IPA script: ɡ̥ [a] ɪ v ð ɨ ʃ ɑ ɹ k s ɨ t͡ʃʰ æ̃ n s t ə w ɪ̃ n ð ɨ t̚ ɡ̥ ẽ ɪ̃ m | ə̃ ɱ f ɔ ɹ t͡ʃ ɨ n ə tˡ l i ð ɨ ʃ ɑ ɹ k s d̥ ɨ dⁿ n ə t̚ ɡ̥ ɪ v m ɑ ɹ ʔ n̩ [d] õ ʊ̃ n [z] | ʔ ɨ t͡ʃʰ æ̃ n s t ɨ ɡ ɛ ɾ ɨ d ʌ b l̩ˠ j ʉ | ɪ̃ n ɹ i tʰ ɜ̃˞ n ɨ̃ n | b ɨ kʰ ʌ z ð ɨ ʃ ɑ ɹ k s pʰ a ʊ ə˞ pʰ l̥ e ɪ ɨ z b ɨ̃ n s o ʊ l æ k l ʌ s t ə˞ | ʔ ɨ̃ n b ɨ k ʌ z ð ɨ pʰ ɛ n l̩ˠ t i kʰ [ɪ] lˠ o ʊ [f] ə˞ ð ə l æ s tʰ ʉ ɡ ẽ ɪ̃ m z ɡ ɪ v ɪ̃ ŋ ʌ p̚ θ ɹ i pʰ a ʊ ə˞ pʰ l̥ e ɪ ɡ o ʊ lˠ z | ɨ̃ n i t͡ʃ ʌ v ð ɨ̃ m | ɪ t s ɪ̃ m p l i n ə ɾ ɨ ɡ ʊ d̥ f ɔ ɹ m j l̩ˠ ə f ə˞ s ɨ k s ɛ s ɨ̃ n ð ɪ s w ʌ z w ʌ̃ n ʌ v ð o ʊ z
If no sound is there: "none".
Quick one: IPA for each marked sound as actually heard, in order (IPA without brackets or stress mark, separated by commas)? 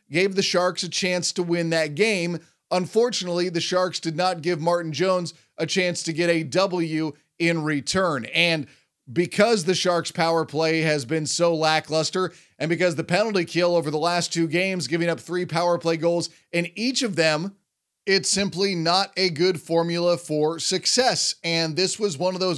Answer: e, d͡ʒ, z, ɪ, v